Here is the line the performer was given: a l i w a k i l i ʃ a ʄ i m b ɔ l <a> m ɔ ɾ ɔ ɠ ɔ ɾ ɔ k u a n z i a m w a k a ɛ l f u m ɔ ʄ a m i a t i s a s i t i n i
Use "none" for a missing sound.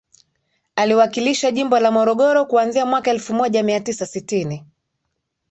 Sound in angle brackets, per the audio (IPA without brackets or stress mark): a